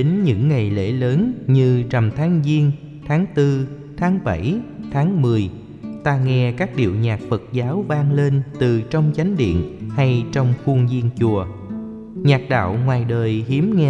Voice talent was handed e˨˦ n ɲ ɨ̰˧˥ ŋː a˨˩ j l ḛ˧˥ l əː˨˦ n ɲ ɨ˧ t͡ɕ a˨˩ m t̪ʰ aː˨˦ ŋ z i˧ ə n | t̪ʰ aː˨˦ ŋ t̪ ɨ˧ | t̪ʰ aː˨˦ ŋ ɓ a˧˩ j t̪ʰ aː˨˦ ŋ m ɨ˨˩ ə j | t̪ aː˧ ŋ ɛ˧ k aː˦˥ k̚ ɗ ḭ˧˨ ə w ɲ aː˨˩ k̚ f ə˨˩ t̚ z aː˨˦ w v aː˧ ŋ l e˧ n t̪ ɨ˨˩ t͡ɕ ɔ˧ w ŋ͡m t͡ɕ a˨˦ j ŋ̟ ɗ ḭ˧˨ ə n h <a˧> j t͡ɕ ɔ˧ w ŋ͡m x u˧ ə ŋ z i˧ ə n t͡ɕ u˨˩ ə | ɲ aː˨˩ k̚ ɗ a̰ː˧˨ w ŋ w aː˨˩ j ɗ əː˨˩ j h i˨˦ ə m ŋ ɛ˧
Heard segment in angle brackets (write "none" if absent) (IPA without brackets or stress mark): a˧